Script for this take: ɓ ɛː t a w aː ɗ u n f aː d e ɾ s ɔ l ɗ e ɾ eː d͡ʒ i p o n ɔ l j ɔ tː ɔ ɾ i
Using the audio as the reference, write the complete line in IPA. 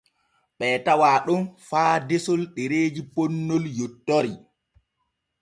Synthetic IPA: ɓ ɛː t a w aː ɗ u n f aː d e s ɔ l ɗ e ɾ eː d͡ʒ i p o nː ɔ l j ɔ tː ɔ ɾ i